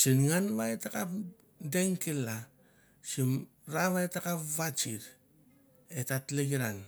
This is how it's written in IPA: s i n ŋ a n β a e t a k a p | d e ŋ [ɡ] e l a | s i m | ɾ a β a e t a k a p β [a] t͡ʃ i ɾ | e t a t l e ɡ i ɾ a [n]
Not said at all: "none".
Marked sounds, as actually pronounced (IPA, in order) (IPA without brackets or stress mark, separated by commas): k, a, n